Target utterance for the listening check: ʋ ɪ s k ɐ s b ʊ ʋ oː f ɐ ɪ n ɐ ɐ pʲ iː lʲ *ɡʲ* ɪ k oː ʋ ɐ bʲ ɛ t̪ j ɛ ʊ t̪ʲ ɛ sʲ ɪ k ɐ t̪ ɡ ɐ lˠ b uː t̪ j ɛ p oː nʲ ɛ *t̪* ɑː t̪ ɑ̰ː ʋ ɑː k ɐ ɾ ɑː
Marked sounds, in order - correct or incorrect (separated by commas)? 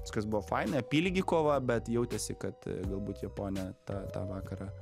correct, correct